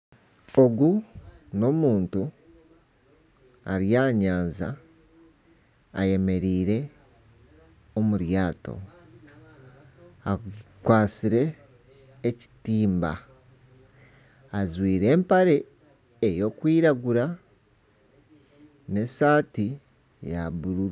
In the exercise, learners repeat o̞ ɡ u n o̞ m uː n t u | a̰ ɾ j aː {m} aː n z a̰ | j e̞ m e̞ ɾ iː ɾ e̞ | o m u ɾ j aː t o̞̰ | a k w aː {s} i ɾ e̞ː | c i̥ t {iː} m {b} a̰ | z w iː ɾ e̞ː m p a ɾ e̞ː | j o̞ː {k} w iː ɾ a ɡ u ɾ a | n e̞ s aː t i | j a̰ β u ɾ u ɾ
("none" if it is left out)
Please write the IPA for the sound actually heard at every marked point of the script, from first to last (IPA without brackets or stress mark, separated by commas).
ɲ, s, iː, b, k